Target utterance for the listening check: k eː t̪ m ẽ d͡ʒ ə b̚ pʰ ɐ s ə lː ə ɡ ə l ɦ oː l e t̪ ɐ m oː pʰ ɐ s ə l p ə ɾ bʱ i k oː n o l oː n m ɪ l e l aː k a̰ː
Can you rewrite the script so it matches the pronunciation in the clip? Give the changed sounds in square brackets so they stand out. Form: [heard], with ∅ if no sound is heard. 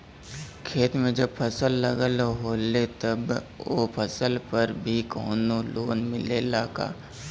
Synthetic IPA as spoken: [kʰ] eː t̪ m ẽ d͡ʒ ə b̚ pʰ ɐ s ə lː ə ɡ ə l ɦ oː l e t̪ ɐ [b] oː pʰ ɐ s ə l p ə ɾ bʱ i k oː n o l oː n m ɪ l e l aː k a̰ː